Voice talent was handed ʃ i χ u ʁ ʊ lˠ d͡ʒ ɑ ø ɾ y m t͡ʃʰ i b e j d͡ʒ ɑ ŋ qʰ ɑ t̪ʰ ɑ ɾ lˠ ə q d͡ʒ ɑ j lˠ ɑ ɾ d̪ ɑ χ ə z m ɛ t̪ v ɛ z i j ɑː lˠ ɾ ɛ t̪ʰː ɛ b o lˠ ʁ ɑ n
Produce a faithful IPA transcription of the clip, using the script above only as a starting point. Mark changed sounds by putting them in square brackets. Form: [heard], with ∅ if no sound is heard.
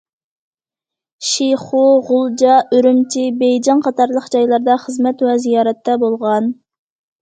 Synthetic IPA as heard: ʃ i χ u ʁ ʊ lˠ d͡ʒ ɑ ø ɾ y m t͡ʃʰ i b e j d͡ʒ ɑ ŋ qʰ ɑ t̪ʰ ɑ ɾ lˠ ə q d͡ʒ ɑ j lˠ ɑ ɾ d̪ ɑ χ ə z m ɛ t̪ [w] ɛ z i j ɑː [∅] ɾ ɛ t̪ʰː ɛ b o lˠ ʁ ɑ n